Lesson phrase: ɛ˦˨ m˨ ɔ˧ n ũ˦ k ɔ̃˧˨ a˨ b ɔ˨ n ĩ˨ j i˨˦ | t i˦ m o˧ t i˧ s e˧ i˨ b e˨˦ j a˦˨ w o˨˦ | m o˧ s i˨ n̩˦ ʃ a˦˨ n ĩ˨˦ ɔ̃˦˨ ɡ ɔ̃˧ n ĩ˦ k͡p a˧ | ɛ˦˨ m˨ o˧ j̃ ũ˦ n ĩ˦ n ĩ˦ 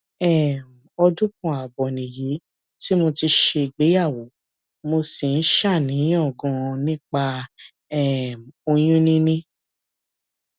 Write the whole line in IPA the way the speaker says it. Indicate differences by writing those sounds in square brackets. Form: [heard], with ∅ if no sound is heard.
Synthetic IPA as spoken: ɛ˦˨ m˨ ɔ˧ [d] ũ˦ k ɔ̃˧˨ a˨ b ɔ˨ n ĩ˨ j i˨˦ | t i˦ m o˧ t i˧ [ʃ] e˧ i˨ [ɡ͡b] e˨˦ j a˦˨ w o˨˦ | m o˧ s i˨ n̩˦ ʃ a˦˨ n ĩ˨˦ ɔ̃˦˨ ɡ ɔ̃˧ n ĩ˦ k͡p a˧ | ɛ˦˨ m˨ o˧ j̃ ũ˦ n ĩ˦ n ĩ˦

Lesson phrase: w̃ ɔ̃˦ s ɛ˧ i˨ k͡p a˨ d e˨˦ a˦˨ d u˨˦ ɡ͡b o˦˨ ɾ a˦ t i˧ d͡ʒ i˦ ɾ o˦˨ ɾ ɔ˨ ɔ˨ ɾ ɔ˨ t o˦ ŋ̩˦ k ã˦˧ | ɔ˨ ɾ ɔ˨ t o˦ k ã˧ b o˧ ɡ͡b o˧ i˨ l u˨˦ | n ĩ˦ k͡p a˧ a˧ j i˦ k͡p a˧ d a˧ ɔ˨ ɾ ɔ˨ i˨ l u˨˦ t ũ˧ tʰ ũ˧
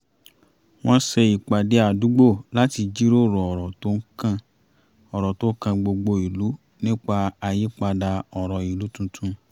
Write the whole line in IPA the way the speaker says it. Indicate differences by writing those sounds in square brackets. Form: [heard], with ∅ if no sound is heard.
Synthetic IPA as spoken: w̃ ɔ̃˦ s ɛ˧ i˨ k͡p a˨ d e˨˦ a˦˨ d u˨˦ ɡ͡b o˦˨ [l] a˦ t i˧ d͡ʒ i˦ ɾ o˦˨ ɾ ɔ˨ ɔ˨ ɾ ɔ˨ t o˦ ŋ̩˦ k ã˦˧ | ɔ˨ ɾ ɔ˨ t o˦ k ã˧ [ɡ͡b] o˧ ɡ͡b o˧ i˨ l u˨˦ | n ĩ˦ k͡p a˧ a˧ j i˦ k͡p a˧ d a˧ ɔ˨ ɾ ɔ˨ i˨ l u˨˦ t ũ˧ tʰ ũ˧

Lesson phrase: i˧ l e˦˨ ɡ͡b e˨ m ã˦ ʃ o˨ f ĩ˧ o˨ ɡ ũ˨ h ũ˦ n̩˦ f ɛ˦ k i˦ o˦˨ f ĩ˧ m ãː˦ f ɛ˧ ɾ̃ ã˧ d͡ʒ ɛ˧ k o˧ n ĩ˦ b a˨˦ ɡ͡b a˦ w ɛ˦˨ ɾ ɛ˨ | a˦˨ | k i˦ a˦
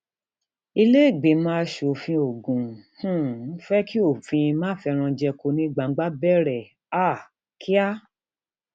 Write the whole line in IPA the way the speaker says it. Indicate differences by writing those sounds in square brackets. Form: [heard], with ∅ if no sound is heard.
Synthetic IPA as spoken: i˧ l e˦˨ ɡ͡b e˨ m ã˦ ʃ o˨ f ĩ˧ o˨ ɡ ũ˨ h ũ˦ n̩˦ f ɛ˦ k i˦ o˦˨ f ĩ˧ m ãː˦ f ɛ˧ ɾ̃ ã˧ d͡ʒ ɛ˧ k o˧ n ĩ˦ [ɡ͡b] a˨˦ ɡ͡b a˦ [b] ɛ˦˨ ɾ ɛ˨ | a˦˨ | k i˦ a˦

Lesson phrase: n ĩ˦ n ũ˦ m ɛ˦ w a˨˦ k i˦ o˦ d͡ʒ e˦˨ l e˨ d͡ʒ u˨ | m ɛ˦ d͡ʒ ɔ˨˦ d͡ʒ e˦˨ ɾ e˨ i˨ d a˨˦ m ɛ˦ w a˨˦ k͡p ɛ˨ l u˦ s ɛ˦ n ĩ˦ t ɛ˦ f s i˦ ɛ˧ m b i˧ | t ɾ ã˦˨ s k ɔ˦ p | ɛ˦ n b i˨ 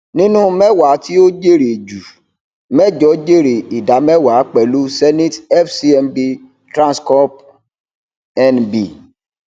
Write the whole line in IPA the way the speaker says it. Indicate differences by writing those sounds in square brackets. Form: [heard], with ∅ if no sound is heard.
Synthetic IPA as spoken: n ĩ˦ n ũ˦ m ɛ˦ w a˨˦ [t] i˦ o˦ d͡ʒ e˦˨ [ɾ] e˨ d͡ʒ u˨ | m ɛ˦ d͡ʒ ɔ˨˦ d͡ʒ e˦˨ ɾ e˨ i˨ d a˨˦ m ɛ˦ w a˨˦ k͡p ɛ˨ l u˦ s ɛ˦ n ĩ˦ t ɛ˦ f s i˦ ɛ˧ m b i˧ | t ɾ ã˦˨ s k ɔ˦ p | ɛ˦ n b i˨

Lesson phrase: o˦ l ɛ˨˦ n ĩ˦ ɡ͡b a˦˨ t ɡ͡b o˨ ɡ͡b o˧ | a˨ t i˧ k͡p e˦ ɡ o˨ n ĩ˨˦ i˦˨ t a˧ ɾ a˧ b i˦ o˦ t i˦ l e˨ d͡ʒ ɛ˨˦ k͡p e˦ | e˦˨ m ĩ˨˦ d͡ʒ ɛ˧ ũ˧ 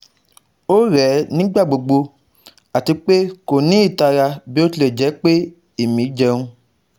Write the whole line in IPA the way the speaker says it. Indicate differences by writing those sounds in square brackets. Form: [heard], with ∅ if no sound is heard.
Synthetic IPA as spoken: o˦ [ɾ] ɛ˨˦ n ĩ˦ ɡ͡b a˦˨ [∅] ɡ͡b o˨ ɡ͡b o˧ | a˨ t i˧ k͡p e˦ [k] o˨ n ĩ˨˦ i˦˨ t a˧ ɾ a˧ b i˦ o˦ t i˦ l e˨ d͡ʒ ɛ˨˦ k͡p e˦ | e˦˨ m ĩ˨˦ d͡ʒ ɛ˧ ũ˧

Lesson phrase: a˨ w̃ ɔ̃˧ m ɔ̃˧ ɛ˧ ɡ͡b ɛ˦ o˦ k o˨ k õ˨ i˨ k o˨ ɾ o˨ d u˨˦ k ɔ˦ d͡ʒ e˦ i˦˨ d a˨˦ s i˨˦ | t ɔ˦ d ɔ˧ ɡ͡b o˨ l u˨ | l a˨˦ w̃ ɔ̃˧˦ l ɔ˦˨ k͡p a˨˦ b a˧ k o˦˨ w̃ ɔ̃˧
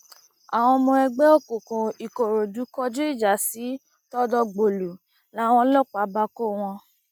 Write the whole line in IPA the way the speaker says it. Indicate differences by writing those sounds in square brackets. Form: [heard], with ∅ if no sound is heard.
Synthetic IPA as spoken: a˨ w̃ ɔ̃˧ m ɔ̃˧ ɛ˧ ɡ͡b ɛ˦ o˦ k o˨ k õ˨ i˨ k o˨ ɾ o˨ d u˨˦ k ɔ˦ d͡ʒ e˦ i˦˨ [d͡ʒ] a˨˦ s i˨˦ | t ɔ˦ d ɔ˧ ɡ͡b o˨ l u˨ | l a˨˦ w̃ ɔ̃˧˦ l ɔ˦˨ k͡p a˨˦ b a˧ k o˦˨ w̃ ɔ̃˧

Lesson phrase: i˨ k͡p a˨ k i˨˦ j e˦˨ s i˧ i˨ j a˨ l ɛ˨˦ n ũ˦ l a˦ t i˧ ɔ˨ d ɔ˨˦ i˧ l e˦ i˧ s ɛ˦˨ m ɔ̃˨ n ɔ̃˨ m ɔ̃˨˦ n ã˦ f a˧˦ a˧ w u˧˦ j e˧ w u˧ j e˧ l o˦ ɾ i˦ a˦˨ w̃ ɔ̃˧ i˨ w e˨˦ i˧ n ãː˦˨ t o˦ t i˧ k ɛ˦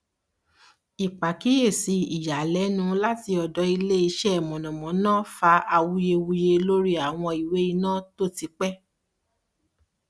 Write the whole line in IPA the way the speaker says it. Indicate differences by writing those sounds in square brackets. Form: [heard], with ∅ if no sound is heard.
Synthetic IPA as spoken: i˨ k͡p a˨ k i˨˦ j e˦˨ s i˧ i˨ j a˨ l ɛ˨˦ n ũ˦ l a˦ t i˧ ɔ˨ d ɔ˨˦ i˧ l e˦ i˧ [ʃ] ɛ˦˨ m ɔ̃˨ n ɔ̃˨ m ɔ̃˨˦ n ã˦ f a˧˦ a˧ w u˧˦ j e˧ w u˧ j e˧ l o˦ ɾ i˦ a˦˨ w̃ ɔ̃˧ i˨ w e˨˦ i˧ n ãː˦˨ t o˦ t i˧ [k͡p] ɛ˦

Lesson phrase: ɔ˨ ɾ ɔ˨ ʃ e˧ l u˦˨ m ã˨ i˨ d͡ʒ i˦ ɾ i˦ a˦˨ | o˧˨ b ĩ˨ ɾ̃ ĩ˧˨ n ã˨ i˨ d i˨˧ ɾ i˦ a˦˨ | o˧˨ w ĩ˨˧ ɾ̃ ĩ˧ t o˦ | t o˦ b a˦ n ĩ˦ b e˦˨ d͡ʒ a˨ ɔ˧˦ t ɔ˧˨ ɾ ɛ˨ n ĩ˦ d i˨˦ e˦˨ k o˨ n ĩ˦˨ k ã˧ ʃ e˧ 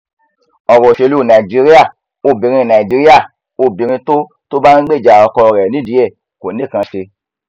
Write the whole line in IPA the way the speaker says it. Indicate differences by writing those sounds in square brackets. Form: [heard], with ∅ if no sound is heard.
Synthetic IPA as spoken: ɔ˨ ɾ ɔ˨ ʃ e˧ l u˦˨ [n] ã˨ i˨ d͡ʒ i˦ ɾ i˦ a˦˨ | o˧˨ b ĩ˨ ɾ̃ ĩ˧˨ n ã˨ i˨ [d͡ʒ] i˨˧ ɾ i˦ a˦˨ | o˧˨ [b] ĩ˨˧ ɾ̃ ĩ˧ t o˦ | t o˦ b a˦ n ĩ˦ [ɡ͡b] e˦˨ d͡ʒ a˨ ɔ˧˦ [k] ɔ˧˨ ɾ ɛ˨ n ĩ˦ d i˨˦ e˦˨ k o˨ n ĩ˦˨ k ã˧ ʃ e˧

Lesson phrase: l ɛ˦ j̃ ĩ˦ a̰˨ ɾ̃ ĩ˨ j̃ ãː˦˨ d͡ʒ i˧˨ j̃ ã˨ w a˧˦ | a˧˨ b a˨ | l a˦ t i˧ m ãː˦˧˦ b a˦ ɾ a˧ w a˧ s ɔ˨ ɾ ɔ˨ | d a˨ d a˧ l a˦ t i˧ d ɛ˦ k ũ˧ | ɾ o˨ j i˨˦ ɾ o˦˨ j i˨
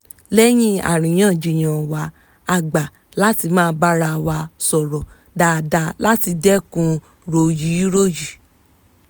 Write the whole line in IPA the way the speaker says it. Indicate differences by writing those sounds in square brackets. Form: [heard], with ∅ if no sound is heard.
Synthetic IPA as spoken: l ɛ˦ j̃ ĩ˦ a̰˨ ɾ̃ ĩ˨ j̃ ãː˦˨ d͡ʒ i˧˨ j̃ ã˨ w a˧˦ | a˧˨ [ɡ͡b] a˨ | l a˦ t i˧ m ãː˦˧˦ b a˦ ɾ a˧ w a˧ s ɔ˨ ɾ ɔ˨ | d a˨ d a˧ l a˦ t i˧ d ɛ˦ k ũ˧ | ɾ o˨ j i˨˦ ɾ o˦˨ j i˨

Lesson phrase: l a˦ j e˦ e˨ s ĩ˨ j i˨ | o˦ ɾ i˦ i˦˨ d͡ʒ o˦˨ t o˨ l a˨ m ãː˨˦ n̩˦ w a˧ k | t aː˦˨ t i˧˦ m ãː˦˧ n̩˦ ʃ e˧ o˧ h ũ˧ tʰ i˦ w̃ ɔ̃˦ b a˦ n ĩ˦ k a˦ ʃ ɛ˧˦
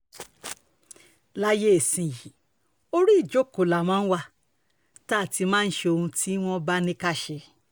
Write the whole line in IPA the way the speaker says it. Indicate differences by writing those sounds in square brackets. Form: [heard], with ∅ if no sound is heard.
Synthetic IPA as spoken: l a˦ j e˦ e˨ s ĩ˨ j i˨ | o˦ ɾ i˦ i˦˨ d͡ʒ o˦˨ [k] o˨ l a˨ m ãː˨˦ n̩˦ w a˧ [∅] | t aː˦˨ t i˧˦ m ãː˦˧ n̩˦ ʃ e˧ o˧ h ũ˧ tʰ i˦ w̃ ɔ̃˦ b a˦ n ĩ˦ k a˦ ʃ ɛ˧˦

